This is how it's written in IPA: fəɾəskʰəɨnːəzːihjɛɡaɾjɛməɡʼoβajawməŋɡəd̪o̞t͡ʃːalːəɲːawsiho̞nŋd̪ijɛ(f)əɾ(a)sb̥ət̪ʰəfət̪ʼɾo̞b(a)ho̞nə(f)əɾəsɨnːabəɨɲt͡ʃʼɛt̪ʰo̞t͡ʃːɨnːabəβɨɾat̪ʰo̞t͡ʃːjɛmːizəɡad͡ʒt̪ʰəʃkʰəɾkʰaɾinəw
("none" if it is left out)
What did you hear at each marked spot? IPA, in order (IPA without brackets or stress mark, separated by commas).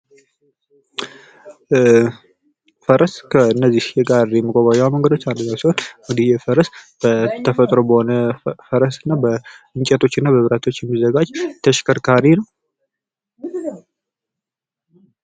f, ə, ə, f